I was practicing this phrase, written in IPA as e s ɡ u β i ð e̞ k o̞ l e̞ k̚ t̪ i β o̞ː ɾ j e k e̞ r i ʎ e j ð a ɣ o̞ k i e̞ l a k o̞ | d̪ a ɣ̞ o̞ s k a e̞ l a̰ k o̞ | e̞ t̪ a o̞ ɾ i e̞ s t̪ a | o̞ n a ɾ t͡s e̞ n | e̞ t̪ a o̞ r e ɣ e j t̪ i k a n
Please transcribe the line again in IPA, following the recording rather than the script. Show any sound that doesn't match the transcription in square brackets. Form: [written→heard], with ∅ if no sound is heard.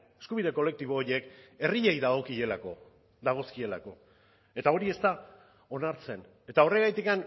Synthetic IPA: e s [ɡ→k] u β i ð e̞ k o̞ l e̞ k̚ t̪ i β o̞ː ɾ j e k e̞ r i ʎ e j ð a ɣ o̞ k i e̞ l a k o̞ | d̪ a ɣ̞ o̞ s k [a→i] e̞ l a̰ k o̞ | e̞ t̪ a o̞ ɾ i e̞ s t̪ a | o̞ n a ɾ t͡s e̞ n | e̞ t̪ a o̞ r e ɣ [e→a] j t̪ i k a n